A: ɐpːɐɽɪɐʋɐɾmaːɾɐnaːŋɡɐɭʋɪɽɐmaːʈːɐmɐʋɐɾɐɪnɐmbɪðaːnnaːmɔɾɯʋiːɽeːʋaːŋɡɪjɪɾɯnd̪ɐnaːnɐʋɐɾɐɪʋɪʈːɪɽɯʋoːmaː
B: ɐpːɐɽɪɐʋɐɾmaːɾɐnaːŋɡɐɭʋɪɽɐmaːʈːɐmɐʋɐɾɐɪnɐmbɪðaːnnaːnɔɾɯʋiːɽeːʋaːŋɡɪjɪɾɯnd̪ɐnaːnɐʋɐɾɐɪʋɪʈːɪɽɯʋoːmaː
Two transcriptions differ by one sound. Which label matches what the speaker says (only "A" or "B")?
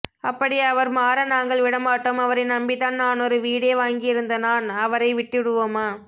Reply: B